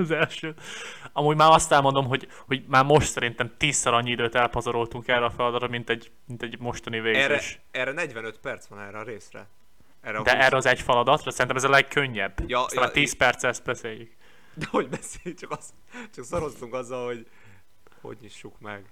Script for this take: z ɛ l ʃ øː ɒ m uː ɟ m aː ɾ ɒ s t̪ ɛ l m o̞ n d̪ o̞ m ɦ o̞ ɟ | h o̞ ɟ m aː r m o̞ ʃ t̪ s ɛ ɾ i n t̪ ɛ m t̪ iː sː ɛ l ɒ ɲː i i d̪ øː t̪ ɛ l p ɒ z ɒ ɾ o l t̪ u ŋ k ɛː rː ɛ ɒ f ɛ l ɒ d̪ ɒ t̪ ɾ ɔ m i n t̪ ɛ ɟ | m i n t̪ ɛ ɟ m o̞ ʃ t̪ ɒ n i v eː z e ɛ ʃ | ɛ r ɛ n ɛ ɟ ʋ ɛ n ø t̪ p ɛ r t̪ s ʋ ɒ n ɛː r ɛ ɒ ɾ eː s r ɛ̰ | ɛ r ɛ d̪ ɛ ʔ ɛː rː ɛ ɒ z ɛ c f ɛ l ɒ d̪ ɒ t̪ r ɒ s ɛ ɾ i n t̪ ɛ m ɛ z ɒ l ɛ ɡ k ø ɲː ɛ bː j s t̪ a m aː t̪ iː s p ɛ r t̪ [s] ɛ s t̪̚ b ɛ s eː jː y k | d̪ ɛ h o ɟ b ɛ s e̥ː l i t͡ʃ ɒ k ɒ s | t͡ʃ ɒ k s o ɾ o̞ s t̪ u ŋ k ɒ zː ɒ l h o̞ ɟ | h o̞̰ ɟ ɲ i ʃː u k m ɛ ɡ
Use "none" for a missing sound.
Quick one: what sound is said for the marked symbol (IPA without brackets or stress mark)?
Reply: s